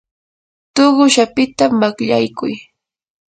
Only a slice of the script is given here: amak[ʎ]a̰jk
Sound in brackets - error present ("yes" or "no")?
no